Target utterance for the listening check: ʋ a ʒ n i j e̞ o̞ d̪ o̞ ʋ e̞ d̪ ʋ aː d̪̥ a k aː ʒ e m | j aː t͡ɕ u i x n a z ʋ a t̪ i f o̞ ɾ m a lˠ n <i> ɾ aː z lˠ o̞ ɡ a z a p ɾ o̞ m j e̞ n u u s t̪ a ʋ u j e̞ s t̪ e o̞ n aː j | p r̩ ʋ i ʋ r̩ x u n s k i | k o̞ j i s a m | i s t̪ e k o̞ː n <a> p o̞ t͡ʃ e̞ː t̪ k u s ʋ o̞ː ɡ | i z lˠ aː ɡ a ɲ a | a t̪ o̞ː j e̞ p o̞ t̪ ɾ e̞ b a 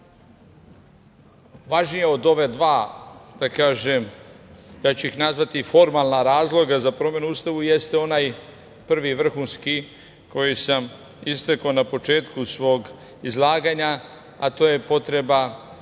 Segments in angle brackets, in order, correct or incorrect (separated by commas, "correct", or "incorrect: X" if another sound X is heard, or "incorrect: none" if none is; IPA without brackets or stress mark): incorrect: a, correct